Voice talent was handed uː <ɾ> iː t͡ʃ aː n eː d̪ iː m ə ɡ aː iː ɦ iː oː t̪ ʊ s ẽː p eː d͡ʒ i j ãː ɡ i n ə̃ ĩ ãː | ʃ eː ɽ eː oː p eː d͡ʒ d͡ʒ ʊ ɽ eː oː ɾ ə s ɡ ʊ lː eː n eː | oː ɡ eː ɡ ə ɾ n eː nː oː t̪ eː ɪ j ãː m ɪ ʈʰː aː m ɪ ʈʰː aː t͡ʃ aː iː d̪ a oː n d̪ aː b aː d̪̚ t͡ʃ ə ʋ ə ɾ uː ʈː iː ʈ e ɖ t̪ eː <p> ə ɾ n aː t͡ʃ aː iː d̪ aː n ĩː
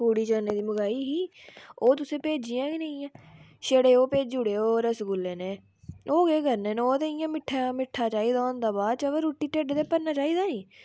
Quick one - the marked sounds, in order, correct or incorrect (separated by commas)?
incorrect, correct